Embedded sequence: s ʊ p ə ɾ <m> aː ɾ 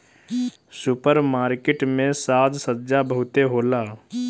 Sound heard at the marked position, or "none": m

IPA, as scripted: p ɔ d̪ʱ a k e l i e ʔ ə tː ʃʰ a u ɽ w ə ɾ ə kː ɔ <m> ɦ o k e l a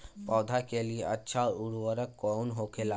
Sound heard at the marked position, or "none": n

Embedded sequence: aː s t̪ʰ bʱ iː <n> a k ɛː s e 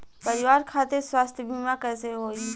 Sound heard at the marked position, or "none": m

